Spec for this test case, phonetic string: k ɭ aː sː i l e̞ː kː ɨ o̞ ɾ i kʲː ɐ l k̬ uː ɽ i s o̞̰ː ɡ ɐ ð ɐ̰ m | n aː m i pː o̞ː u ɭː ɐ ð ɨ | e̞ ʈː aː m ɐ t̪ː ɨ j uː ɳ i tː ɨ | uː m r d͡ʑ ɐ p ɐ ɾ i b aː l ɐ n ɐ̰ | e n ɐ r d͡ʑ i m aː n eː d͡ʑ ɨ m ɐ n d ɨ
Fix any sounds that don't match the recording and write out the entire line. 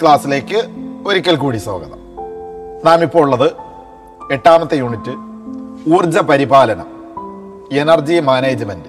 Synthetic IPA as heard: k ɭ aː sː i l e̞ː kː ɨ o̞ ɾ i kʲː ɐ l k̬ uː ɽ i s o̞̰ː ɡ ɐ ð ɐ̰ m | n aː m i pː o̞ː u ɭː ɐ ð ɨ | e̞ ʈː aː m ɐ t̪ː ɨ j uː ɳ i tː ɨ | uː r d͡ʑ ɐ p ɐ ɾ i b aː l ɐ n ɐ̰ | e n ɐ r d͡ʑ i m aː n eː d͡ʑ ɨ m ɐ n d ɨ